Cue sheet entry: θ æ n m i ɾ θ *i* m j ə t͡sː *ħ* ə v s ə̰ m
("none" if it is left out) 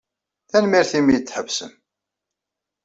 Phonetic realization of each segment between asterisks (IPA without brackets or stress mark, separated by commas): i, ħ